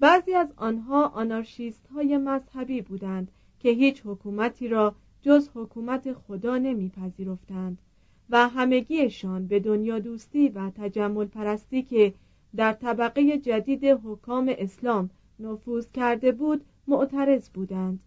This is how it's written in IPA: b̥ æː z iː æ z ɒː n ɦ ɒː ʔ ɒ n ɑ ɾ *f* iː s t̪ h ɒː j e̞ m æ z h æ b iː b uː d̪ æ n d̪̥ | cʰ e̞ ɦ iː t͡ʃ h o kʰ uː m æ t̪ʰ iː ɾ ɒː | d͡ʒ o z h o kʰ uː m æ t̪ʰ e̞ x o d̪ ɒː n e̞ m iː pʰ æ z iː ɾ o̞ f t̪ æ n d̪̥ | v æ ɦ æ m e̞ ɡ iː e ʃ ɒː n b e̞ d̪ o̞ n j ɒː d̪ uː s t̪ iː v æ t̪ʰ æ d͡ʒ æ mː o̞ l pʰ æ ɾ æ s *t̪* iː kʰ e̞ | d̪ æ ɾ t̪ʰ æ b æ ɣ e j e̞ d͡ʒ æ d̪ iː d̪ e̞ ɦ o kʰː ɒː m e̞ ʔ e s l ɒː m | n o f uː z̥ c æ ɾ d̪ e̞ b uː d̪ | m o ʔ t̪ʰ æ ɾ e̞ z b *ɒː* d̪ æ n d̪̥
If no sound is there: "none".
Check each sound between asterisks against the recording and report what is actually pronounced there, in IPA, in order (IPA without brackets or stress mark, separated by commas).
ʃ, t̪, uː